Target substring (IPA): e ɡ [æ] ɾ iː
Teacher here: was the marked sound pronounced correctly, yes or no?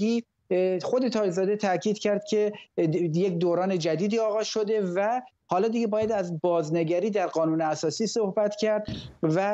yes